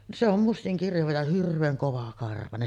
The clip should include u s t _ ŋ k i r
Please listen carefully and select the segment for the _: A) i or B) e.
A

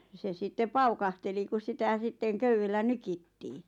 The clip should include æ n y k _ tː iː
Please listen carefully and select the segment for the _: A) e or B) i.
B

